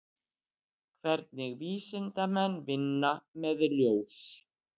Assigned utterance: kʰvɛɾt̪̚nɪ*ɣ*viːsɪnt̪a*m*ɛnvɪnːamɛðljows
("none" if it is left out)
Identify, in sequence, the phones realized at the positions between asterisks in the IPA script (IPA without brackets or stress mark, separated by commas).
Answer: ɣ, m